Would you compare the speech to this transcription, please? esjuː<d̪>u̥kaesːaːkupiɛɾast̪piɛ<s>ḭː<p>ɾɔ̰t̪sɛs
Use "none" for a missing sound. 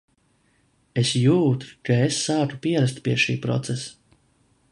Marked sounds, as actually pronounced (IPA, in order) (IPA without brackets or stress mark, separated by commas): t̪, ʃ, p